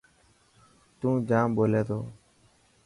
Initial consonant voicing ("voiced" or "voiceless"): voiceless